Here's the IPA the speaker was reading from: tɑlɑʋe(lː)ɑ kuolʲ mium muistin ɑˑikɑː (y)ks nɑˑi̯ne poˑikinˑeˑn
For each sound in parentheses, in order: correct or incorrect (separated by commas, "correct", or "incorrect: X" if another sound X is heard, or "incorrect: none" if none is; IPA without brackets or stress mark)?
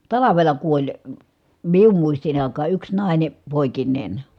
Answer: incorrect: l, correct